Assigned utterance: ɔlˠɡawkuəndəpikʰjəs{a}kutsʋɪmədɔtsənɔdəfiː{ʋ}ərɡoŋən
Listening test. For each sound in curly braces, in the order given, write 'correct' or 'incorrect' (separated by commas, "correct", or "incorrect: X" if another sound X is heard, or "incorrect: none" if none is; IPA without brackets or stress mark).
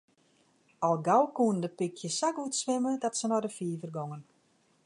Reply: correct, incorrect: v